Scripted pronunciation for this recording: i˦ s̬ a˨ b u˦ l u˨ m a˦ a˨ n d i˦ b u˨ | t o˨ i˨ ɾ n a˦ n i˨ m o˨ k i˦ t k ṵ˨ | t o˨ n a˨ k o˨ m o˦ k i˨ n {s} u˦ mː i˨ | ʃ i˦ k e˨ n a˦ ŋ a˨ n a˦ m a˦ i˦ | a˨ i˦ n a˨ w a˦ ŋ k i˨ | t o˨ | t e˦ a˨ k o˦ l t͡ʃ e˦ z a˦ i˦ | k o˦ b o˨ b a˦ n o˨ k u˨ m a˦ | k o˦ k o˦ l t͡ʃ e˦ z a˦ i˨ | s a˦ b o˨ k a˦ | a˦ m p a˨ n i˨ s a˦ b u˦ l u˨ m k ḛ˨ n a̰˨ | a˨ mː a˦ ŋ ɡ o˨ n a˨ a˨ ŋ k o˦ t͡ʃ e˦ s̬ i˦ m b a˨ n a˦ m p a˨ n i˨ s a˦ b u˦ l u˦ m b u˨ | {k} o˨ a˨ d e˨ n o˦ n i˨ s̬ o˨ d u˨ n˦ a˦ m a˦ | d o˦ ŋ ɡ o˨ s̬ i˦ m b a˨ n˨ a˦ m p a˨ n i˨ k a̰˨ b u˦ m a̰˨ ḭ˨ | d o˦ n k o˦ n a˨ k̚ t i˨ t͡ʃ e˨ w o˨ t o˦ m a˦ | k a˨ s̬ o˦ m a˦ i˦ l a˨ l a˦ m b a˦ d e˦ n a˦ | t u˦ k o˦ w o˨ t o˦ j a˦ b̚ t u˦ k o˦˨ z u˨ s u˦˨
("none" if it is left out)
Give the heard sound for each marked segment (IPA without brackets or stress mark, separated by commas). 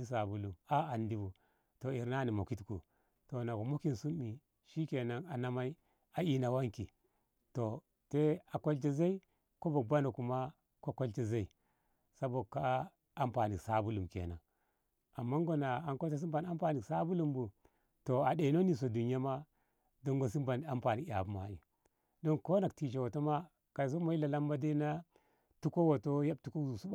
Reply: s, t